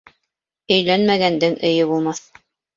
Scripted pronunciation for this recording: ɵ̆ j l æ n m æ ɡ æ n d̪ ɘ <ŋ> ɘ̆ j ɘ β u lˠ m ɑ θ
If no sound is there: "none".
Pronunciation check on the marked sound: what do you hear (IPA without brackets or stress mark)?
ŋ